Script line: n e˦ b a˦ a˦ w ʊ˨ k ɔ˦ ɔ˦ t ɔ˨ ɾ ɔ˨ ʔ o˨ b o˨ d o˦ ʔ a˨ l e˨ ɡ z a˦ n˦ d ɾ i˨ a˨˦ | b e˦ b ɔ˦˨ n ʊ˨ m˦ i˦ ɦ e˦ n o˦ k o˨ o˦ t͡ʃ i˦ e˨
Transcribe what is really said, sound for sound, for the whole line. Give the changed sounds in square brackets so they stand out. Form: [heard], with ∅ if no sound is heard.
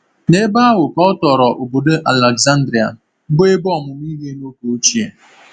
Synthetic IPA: n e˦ b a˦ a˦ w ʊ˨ k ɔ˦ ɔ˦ t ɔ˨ ɾ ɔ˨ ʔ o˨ b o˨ d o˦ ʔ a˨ l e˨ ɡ z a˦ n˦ d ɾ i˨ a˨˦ | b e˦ b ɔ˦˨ [m] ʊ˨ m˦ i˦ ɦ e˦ n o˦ k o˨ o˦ t͡ʃ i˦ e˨